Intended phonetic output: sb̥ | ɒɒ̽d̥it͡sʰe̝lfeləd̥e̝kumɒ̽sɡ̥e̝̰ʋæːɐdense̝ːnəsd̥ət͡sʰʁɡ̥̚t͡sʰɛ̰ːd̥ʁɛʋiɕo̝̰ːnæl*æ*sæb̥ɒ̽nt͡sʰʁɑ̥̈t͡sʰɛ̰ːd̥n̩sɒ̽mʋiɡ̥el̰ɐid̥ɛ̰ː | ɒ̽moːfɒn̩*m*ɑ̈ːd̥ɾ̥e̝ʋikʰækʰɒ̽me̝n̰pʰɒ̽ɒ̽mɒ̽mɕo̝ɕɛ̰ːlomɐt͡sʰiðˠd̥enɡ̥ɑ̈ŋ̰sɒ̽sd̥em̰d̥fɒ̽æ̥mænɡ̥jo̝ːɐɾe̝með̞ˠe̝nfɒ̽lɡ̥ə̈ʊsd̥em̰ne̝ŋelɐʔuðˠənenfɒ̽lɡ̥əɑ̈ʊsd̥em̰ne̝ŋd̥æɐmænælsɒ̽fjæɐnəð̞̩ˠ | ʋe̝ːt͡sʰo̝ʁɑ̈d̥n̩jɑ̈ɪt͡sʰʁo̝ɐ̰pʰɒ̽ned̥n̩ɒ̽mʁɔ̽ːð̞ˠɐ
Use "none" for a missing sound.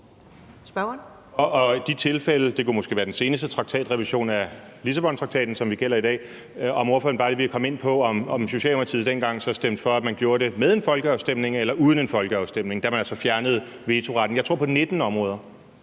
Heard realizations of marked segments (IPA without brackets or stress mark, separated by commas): i, b